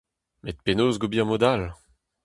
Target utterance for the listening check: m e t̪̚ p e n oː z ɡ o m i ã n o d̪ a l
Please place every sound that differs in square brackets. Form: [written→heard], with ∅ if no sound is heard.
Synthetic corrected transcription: m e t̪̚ p e n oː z ɡ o [m→b] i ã [n→m] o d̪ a l